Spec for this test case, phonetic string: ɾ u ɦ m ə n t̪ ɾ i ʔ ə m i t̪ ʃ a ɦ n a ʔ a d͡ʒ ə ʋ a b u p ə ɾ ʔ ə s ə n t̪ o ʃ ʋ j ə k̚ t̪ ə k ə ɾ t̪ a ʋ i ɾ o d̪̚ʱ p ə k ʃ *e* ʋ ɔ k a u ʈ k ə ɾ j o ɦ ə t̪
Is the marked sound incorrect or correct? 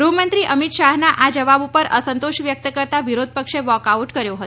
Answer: correct